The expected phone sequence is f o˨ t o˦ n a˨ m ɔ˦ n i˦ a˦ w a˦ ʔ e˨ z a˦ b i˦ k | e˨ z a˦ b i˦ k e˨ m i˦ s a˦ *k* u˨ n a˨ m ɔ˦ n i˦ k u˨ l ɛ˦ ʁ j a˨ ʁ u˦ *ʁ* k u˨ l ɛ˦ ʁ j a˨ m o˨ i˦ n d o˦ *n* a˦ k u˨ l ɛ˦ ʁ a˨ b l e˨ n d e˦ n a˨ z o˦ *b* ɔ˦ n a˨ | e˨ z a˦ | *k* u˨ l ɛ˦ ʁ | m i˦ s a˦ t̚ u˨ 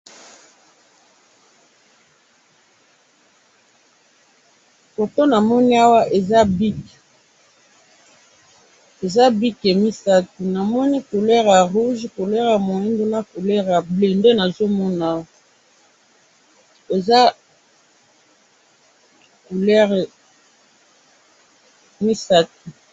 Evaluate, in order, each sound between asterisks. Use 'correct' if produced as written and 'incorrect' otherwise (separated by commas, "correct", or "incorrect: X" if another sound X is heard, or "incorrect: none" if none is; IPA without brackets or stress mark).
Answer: incorrect: t, incorrect: ʒ, correct, incorrect: m, correct